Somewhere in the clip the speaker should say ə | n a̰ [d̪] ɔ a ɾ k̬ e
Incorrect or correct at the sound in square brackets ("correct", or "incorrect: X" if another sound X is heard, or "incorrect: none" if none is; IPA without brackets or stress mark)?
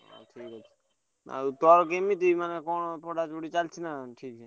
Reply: incorrect: t̪